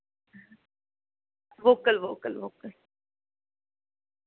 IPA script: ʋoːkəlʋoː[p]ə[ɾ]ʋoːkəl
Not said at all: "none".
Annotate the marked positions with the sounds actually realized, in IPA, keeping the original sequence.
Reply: k, l

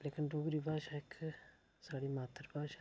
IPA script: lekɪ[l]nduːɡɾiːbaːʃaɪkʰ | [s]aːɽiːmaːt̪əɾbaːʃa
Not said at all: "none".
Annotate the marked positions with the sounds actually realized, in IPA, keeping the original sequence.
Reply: none, s

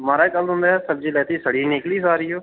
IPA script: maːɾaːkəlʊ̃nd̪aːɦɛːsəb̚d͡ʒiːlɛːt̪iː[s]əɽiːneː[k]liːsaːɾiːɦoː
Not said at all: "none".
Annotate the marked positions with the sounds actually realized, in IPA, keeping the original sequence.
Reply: s, k

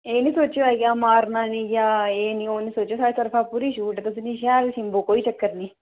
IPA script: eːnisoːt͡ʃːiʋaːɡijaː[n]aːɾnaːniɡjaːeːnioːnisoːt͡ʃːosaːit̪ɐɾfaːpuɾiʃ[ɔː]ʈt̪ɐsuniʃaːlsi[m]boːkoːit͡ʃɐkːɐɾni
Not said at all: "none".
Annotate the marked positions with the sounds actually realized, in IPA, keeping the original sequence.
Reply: m, uː, m

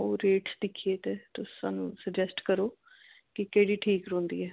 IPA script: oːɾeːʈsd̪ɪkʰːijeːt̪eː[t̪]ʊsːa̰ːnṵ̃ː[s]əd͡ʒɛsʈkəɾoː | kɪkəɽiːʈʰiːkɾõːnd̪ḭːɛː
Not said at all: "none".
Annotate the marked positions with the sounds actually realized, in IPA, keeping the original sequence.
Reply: t̪, s

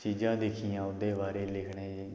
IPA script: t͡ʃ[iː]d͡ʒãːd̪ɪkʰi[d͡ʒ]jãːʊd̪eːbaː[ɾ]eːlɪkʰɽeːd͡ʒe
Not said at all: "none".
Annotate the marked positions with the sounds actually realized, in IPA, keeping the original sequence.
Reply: iː, none, ɾ

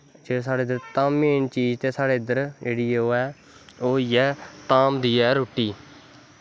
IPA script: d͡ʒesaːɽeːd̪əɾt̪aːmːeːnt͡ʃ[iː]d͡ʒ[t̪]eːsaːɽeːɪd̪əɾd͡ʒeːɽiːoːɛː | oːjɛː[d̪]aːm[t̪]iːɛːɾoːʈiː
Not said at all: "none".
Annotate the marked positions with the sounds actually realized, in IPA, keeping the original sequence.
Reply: iː, t̪, t̪, d̪

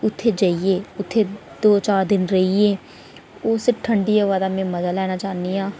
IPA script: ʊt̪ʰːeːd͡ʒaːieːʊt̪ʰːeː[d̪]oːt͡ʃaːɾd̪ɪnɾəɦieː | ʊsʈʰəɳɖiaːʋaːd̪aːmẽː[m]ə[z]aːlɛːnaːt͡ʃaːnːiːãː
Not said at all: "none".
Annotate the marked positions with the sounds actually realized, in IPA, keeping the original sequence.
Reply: d̪, m, z

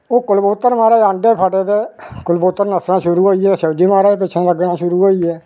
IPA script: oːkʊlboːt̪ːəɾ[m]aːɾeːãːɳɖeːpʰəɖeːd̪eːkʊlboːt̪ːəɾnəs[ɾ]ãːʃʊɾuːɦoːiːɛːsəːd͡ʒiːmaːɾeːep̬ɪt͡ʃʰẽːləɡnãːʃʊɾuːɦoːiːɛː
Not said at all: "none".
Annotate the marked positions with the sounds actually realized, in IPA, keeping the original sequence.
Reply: m, ɾ

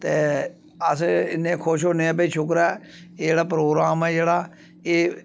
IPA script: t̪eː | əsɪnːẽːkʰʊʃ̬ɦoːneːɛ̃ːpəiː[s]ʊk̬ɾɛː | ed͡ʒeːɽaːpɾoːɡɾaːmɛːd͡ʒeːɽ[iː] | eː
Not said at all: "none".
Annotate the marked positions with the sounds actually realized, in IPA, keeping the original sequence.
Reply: ʃ, aː

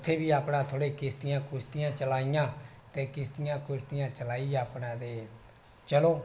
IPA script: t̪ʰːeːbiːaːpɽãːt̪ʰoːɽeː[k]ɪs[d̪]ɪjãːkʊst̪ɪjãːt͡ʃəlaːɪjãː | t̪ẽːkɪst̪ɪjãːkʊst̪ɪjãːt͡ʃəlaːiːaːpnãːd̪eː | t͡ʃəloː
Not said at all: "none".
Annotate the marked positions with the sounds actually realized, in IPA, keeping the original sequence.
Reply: k, t̪

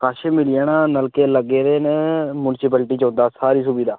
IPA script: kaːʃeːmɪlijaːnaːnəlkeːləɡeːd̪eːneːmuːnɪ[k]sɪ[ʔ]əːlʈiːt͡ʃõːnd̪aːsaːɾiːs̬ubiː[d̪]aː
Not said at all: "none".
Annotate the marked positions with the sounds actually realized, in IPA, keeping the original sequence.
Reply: none, p, d̪

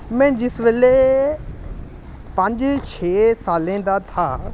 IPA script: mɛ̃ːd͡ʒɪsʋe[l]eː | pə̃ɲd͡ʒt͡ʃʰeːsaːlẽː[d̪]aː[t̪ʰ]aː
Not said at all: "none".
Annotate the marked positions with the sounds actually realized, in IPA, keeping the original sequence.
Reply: l, d̪, t̪ʰ

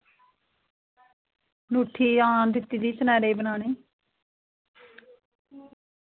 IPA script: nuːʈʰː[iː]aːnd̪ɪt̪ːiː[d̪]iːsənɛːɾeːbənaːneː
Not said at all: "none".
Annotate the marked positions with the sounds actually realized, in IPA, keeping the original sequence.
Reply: iː, d̪

